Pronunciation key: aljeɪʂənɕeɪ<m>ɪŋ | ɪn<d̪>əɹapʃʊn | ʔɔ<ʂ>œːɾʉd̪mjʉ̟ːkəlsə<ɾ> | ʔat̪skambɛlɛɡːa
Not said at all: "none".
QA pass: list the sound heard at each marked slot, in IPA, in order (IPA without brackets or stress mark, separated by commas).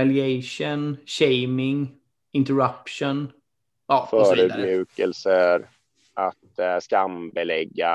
m, t̪, f, ɾ